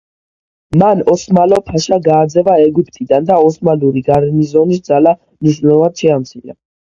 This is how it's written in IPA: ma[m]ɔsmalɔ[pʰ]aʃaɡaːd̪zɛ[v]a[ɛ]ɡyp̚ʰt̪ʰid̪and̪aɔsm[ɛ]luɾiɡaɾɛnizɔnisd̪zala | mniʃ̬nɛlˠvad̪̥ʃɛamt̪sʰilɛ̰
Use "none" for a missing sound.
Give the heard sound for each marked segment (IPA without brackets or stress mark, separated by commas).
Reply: n, pʰ, v, ɛ, a